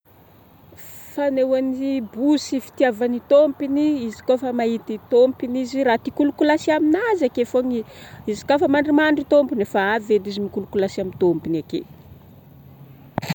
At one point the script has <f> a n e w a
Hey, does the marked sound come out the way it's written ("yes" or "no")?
yes